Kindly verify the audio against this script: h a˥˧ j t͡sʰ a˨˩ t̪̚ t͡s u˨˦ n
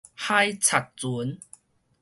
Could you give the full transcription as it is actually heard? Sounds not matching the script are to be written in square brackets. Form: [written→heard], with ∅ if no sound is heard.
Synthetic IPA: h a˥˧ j t͡sʰ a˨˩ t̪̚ t͡s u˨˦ n